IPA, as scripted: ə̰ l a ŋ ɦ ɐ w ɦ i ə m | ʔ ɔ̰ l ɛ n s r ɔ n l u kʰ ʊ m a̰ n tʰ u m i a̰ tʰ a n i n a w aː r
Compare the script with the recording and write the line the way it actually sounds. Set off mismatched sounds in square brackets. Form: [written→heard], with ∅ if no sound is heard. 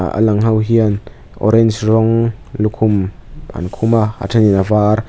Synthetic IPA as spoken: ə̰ l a ŋ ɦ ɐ w ɦ i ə [m→n] | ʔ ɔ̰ [l→ɾ] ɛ n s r ɔ [n→ŋ] l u kʰ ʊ m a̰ n [tʰ→kʰ] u m [i→a] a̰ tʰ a n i n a [w→v] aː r